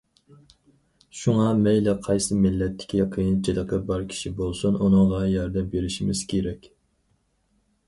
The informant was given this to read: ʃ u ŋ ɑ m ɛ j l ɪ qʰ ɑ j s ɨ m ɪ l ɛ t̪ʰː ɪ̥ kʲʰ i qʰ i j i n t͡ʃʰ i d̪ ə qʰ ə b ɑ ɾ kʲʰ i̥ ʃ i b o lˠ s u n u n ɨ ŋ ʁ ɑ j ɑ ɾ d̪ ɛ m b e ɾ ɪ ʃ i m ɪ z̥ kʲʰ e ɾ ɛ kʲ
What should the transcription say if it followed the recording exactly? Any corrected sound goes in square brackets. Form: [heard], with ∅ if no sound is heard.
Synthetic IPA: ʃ u ŋ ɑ m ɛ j l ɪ qʰ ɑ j s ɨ m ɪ [lː] ɛ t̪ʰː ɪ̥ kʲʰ i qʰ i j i n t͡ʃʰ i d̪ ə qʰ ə b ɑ ɾ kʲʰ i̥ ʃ i b o lˠ s u n u n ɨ ŋ ʁ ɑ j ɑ ɾ d̪ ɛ m b e ɾ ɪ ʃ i m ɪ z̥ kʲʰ e ɾ ɛ kʲ